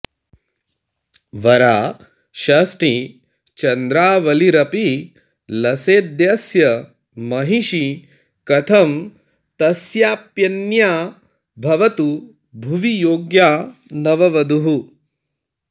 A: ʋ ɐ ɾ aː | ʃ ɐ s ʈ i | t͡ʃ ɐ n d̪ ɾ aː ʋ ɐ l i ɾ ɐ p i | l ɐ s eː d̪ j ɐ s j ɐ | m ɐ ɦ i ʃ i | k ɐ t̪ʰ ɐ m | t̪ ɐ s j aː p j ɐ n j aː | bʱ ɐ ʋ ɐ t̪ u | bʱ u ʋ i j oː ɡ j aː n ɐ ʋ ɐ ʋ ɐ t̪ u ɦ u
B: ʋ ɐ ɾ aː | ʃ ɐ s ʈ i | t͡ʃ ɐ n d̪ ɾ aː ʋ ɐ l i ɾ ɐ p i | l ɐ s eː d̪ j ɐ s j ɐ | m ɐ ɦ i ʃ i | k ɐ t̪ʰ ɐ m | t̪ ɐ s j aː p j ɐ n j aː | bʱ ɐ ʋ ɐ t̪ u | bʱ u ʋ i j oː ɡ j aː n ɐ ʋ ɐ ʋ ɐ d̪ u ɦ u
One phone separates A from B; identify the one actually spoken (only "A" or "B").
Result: B